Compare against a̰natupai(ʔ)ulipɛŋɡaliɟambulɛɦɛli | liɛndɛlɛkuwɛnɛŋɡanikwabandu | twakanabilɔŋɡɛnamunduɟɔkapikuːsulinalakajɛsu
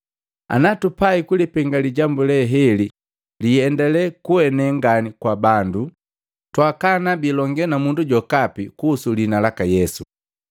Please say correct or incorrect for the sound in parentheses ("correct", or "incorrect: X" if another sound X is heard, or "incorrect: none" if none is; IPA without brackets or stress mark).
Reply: incorrect: k